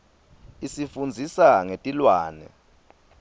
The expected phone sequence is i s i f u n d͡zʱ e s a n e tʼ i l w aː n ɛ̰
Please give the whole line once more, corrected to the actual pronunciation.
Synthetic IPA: i s i f u n d͡zʱ i s a ŋ e tʼ i l w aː n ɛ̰